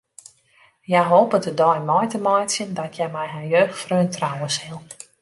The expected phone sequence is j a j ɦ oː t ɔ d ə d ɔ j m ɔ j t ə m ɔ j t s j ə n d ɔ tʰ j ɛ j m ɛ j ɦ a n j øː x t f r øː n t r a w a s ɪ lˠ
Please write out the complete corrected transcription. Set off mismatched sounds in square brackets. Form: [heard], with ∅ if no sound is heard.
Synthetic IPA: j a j ɦ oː [p] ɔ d ə d ɔ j m ɔ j t ə m ɔ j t s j ə n d ɔ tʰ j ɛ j m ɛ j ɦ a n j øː x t f r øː n t r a w [ə] s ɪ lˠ